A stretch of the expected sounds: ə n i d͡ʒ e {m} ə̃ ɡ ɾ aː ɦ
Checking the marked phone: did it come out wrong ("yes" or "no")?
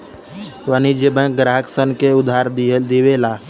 yes